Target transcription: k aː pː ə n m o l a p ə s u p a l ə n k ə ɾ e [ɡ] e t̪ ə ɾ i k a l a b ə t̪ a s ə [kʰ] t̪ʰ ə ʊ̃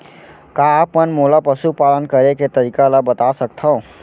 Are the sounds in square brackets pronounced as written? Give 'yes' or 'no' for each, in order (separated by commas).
no, no